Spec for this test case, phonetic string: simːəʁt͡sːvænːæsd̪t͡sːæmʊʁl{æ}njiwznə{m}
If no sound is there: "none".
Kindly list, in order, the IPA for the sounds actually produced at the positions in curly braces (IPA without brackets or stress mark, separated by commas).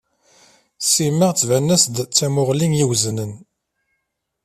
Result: i, n